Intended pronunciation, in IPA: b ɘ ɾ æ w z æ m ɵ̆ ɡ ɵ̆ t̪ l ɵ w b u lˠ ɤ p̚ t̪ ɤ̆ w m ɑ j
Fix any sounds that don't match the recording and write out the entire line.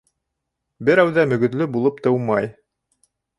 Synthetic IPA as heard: b ɘ ɾ æ w ð æ m ɵ̆ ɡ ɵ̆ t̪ l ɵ b u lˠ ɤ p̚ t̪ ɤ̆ w m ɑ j